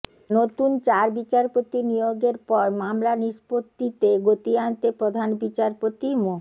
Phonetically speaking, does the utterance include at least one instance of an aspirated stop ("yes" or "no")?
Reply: no